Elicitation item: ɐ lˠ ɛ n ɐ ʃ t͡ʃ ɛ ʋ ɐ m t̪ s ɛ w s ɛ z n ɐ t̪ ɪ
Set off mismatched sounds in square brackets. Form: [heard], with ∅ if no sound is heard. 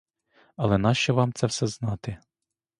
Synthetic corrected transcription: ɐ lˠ ɛ n [ɑ] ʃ t͡ʃ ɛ ʋ [ɑ] m t̪ s ɛ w s ɛ z n [ɑ] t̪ ɪ